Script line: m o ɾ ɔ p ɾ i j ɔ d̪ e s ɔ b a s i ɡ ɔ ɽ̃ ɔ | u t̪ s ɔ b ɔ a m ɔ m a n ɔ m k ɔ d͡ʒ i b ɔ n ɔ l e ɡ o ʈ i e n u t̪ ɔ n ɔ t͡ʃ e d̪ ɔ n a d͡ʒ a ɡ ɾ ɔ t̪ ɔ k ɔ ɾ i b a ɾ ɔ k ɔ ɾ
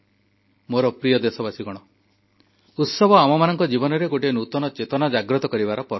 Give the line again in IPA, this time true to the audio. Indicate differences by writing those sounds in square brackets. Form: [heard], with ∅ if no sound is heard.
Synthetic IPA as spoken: m o ɾ ɔ p ɾ i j ɔ d̪ e s ɔ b a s i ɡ ɔ ɽ̃ ɔ | u t̪ s ɔ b ɔ a m ɔ m a n ɔ [ŋ] k ɔ d͡ʒ i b ɔ n ɔ [ɾ] e ɡ o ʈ i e n u t̪ ɔ n ɔ t͡ʃ e [t̪] ɔ n a d͡ʒ a ɡ ɾ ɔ t̪ ɔ k ɔ ɾ i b a ɾ ɔ [p] ɔ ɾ